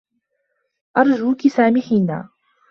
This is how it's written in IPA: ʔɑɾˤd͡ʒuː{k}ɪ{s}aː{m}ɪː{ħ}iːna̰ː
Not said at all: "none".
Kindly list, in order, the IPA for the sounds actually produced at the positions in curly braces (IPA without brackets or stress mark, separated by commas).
k, s, m, ħ